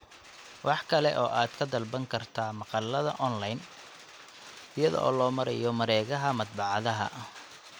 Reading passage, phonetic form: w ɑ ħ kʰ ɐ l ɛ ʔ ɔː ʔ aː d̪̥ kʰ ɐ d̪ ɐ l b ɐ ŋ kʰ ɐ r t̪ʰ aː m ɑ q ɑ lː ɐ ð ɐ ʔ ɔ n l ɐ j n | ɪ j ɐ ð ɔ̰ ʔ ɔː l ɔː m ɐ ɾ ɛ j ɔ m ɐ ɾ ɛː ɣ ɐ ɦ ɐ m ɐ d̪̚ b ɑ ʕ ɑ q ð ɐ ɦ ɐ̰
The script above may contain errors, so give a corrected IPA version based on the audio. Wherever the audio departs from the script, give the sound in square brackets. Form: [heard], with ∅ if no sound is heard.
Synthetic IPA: w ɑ ħ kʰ ɐ l ɛ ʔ ɔː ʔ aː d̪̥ kʰ ɐ d̪ ɐ l b ɐ ŋ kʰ ɐ r t̪ʰ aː m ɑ q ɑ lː ɐ ð ɐ ʔ ɔ n l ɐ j n | ɪ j ɐ ð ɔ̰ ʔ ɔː l ɔː m ɐ ɾ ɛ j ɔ m ɐ ɾ ɛː ɣ ɐ ɦ ɐ m ɐ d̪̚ b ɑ ʕ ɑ [∅] ð ɐ ɦ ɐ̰